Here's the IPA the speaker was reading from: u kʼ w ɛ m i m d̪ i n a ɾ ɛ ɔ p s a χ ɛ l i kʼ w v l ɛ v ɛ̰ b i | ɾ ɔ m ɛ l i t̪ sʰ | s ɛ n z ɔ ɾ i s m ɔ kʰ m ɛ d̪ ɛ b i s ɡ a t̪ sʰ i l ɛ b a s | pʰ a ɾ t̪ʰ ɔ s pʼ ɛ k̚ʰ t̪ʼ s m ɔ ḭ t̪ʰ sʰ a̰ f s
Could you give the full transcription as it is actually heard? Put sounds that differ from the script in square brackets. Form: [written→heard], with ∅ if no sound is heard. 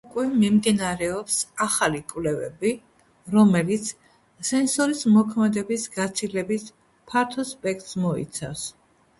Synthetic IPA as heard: u kʼ w ɛ m i m d̪ i n a ɾ ɛ ɔ p s a χ [ɛ→a] l i kʼ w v l ɛ v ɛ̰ b i | ɾ ɔ m ɛ l i t̪ sʰ | s ɛ n [z→s] ɔ ɾ i s m ɔ kʰ m ɛ d̪ ɛ b i s ɡ a t̪ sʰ i l ɛ b [a→i] s | pʰ a ɾ t̪ʰ ɔ s pʼ ɛ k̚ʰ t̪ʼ s m ɔ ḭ [t̪ʰ→t̪] sʰ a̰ f s

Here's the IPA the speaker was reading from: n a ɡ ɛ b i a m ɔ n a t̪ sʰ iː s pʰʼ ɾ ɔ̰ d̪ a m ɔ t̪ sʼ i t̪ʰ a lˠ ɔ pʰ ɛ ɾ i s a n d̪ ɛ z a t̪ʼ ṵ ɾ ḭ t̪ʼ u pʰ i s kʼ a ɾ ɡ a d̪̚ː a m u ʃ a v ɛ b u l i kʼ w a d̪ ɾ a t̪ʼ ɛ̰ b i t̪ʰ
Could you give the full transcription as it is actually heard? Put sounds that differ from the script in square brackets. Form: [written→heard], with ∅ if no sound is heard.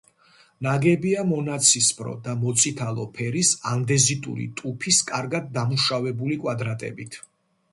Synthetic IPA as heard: n a ɡ ɛ b i a m ɔ n a t̪ sʰ [iː→i] s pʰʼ ɾ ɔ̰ d̪ a m ɔ t̪ sʼ i t̪ʰ a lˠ ɔ pʰ ɛ ɾ i s a n d̪ ɛ z [a→i] t̪ʼ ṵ ɾ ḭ t̪ʼ u pʰ i s kʼ a ɾ ɡ a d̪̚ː a m u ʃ a v ɛ b u l i kʼ w a d̪ ɾ a t̪ʼ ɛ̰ b i t̪ʰ

